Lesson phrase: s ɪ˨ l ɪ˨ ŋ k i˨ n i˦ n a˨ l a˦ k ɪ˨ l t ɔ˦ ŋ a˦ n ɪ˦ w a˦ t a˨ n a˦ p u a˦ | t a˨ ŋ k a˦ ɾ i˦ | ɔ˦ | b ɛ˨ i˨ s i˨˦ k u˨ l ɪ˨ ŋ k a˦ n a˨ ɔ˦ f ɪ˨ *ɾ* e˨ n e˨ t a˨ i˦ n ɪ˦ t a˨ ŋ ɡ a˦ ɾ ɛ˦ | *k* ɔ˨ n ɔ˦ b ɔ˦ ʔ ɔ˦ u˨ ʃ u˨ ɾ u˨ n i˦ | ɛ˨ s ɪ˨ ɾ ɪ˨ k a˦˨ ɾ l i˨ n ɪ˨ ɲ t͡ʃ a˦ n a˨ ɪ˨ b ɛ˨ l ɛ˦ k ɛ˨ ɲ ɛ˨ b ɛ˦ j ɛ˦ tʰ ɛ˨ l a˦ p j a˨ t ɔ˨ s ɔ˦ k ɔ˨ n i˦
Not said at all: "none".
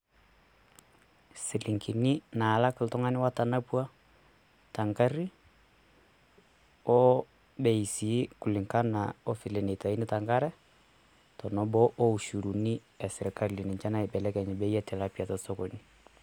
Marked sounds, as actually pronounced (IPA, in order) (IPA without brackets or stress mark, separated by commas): l, t